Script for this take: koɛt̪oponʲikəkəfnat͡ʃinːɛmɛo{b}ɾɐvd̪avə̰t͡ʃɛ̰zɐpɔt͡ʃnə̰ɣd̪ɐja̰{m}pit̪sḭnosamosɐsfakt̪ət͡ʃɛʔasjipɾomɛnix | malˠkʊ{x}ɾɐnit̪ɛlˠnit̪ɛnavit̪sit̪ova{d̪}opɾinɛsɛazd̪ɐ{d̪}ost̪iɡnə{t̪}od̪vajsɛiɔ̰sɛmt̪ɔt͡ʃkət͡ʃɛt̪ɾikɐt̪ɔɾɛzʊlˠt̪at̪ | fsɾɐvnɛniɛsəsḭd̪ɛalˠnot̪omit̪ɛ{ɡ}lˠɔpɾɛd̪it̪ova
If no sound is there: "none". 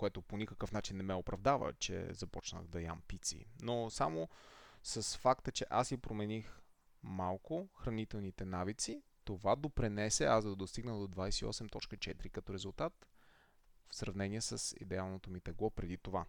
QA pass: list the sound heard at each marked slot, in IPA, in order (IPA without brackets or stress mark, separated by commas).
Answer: p, m, x, d̪, d̪, d̪, ɡ